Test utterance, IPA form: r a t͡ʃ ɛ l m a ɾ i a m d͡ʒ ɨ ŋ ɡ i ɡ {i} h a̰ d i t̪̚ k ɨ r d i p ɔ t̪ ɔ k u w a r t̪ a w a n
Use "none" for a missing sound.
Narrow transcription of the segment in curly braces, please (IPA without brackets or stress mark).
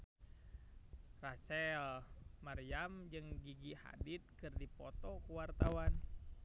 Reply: i